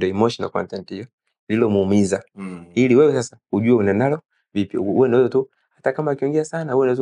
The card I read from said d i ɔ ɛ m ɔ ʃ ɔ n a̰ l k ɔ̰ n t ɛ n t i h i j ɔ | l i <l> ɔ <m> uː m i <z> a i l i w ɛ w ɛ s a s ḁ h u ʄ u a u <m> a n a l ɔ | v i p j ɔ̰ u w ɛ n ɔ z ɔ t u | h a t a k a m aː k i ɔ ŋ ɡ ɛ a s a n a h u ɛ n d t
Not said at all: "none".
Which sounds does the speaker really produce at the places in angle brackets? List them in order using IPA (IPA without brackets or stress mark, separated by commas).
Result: l, m, z, n